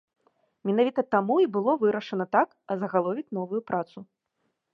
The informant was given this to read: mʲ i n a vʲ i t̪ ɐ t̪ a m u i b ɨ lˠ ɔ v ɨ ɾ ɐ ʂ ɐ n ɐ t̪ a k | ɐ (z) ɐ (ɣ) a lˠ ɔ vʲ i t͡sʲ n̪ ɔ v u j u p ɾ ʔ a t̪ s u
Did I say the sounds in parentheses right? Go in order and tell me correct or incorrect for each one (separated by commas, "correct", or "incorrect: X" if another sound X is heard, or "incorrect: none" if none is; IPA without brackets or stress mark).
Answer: correct, correct